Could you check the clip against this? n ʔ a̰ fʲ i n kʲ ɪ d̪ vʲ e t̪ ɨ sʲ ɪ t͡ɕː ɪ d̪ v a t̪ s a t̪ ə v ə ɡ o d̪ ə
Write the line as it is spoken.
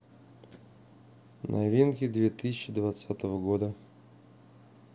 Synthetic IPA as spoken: n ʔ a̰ vʲ i n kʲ ɪ d̪ vʲ e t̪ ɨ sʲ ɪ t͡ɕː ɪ d̪ v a t̪ s a t̪ ə v ə ɡ o d̪ ə